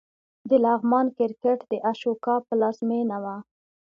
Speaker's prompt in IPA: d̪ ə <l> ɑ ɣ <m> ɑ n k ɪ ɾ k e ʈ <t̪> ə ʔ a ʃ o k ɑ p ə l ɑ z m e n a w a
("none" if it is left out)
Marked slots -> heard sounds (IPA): l, m, d̪

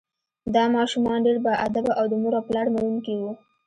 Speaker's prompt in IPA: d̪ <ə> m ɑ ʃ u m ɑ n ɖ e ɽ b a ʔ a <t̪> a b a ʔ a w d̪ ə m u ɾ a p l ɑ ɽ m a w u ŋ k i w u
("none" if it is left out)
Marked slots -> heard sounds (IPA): ɑ, d̪

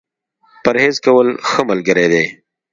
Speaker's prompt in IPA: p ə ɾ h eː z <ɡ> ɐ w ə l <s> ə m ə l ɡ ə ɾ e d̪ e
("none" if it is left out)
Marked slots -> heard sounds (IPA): k, x

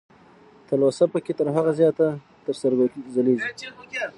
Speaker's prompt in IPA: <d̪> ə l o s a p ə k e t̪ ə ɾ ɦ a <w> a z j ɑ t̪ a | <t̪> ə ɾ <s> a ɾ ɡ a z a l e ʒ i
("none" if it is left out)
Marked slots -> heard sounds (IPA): t̪, ɣ, t̪, s

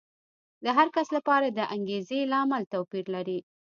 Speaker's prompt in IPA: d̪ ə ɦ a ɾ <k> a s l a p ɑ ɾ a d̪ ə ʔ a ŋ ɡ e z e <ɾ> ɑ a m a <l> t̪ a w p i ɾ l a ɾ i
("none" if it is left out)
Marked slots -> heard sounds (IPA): k, l, l

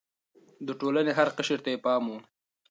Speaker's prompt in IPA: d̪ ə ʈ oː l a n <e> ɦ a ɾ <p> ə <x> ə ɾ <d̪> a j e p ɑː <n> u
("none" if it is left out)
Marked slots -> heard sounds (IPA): e, q, ʃ, t̪, m

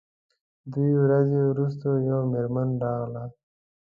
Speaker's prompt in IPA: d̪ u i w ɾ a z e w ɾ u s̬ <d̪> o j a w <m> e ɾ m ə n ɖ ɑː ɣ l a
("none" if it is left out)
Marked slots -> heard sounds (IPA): t̪, m

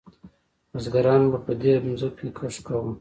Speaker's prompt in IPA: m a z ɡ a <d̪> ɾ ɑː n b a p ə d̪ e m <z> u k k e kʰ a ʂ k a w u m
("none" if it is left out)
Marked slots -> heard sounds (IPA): none, z

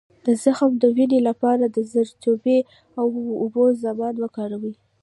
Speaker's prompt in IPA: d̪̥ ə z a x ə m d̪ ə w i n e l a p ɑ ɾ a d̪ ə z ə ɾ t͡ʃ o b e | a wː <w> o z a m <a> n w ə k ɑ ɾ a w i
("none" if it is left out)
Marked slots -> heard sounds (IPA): b, ɑ

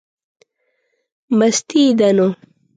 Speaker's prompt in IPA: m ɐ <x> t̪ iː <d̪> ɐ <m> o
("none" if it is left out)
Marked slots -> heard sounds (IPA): s, d̪, n

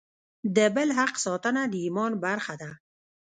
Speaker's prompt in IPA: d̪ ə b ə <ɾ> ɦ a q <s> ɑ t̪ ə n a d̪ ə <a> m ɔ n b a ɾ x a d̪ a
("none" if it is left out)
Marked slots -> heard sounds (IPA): l, s, i

